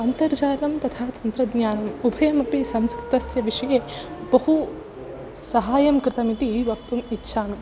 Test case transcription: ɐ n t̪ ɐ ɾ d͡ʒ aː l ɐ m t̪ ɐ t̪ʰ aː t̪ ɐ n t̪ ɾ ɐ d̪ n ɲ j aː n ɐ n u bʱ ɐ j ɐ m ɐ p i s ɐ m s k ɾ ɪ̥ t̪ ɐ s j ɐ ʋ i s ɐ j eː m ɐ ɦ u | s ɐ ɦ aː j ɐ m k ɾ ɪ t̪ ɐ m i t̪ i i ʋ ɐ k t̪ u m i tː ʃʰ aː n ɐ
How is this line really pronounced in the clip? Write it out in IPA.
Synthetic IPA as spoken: ɐ n t̪ ɐ ɾ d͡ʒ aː l ɐ m t̪ ɐ t̪ʰ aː t̪ ɐ n t̪ ɾ ɐ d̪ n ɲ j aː n ɐ m u bʱ ɐ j ɐ m ɐ p i s ɐ m s k ɾ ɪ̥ t̪ ɐ s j ɐ ʋ i ʂ ɐ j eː b ɐ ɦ u | s ɐ ɦ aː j ɐ m k ɾ ɪ t̪ ɐ m i t̪ i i ʋ ɐ k t̪ u m i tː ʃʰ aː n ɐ

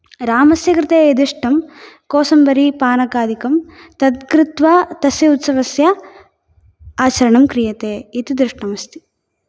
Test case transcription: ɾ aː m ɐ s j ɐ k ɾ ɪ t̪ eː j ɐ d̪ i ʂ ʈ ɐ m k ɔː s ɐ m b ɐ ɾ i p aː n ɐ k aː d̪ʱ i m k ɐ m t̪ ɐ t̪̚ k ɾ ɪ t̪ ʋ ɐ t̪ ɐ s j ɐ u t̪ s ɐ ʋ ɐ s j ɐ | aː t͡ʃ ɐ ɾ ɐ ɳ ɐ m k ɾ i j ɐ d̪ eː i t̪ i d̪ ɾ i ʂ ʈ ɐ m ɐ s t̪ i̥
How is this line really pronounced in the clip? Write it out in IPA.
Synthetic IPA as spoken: ɾ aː m ɐ s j ɐ k ɾ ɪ t̪ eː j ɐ d̪ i ʂ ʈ ɐ m k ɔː s ɐ m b ɐ ɾ i p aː n ɐ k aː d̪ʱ i k ɐ m t̪ ɐ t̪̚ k ɾ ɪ t̪ ʋ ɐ t̪ ɐ s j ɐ u t̪ s ɐ ʋ ɐ s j ɐ | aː t͡ʃ ɐ ɾ ɐ ɳ ɐ m k ɾ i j ɐ t̪ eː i t̪ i d̪ ɾ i ʂ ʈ ɐ m ɐ s t̪ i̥

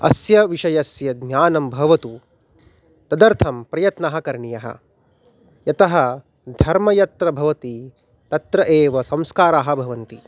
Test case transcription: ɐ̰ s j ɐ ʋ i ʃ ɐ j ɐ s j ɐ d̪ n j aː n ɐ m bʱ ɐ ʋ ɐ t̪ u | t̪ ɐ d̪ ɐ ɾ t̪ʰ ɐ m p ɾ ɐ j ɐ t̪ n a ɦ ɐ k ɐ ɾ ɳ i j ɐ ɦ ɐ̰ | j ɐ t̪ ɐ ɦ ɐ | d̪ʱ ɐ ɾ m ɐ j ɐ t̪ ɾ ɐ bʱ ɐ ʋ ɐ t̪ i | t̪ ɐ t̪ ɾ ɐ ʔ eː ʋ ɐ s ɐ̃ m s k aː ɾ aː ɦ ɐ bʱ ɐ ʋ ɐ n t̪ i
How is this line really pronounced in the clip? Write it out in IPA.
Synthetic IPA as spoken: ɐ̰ s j ɐ ʋ i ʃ ɐ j ɐ s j ɐ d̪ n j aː n ɐ m bʱ ɐ ʋ ɐ t̪ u | t̪ ɐ d̪ ɐ ɾ t̪ʰ ɐ m p ɾ ɐ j ɐ t̪ n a ɦ ɐ k ɐ ɾ ɳ i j ɐ ɦ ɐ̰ | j ɐ t̪ ɐ ɦ ɐ | d̪ʱ ɐ ɾ m ɐ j ɐ t̪ ɾ ɐ bʱ ɐ ʋ ɐ t̪ i | t̪ ɐ t̪ ɾ ɐ ʔ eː ʋ ɐ s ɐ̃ m s k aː ɾ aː ɦ ɐ bʱ ɐ ʋ ɐ n t̪ i

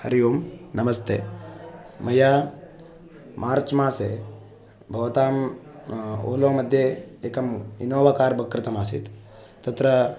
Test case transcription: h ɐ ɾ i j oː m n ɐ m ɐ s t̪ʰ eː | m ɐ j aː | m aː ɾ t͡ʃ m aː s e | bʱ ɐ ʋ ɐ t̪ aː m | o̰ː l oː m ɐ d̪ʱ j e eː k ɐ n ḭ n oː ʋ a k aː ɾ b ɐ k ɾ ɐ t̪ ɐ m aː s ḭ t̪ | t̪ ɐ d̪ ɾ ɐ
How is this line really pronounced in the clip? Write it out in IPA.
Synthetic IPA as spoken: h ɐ ɾ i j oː m n ɐ m ɐ s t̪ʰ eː | m ɐ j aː | m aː ɾ t͡ʃ m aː s e | bʱ ɐ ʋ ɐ t̪ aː m | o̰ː l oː m ɐ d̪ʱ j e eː k ɐ m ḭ n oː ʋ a k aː ɾ b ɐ k ɾ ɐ t̪ ɐ m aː s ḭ t̪ | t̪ ɐ t̪ ɾ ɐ

